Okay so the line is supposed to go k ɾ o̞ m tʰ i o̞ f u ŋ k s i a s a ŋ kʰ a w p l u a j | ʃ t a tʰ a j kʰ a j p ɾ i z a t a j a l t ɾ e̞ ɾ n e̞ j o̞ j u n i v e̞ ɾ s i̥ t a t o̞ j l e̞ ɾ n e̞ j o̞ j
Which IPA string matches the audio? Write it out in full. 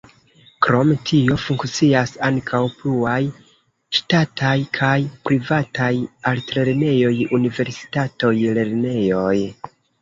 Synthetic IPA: k ɾ o̞ m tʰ i o̞ f u ŋ k t͡s i a s a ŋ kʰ a w p l u a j | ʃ t a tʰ a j kʰ a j p ɾ i v a t a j a l t ɾ e̞ ɾ n e̞ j o̞ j u n i v e̞ ɾ s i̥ t a t o̞ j l e̞ ɾ n e̞ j o̞ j